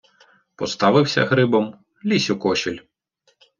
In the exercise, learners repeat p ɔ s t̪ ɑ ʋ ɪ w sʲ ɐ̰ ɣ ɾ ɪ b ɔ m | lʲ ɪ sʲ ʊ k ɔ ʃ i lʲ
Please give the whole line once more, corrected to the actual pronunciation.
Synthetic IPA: p ɔ s t̪ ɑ ʋ ɪ w sʲ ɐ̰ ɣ ɾ ɪ b ɔ m | lʲ i sʲ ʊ k ɔ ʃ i lʲ